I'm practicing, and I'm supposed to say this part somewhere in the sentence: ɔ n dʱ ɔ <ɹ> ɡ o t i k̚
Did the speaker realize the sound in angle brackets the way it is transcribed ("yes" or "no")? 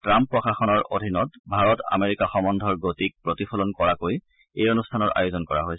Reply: yes